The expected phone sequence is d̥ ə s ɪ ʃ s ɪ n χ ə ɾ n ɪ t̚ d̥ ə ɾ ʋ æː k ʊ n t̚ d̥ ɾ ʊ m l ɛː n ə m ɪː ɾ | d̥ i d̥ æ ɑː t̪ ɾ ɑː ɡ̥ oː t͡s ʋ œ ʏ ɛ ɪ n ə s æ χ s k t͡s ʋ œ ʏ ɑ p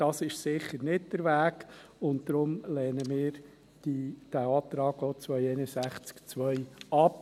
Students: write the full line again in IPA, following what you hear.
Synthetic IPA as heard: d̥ ɑ s ɪ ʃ s ɪ χ ə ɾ n ɪ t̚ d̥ ə ɾ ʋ æː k ʊ n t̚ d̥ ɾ ʊ m l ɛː n ə m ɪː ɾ | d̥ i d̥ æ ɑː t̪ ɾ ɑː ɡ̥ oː t͡s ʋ œ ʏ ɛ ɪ n ə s æ χ t͡s k t͡s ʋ œ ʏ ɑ p